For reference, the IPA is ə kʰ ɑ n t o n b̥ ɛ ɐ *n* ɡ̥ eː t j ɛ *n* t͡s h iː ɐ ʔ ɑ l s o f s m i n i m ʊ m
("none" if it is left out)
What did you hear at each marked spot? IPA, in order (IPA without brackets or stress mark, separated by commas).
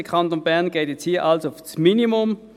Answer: n, none